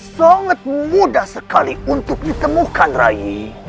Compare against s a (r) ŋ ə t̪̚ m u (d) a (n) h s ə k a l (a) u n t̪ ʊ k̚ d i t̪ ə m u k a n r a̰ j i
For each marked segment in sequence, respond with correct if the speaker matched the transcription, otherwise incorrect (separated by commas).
incorrect, correct, incorrect, incorrect